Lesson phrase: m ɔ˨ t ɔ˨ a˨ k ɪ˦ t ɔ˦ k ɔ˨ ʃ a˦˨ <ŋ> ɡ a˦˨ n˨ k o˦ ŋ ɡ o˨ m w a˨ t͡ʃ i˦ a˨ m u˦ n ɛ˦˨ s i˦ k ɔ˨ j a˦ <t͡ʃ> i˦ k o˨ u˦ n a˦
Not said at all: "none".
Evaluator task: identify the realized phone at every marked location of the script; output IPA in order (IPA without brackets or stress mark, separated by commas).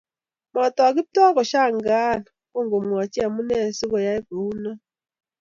ŋ, none